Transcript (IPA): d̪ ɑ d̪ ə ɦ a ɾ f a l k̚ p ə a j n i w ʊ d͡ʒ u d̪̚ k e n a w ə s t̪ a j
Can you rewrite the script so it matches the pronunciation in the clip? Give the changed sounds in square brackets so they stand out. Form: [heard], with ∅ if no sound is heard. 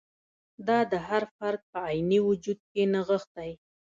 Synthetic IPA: d̪ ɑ d̪ ə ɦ a ɾ f a [ɾ] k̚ p ə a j n i w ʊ d͡ʒ u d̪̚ k e n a [ɣ] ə [x] t̪ a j